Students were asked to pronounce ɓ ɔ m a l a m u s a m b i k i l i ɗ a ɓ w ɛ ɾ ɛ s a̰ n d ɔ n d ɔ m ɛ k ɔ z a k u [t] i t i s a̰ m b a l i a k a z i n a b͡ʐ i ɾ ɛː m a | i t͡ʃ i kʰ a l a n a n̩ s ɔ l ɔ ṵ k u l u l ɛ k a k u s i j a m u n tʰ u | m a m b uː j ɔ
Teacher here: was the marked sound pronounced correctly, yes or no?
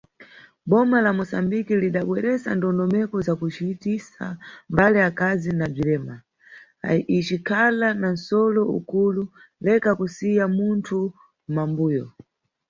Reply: no